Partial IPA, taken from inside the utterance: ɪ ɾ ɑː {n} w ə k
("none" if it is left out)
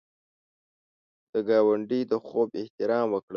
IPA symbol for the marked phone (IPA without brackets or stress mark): m